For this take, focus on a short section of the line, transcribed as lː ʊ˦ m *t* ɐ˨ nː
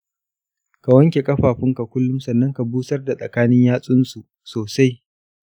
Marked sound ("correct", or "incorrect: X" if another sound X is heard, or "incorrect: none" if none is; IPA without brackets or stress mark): incorrect: s